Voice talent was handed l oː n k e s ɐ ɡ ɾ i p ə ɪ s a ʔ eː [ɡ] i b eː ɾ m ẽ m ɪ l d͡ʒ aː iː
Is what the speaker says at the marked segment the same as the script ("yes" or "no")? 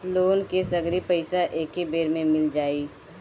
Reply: no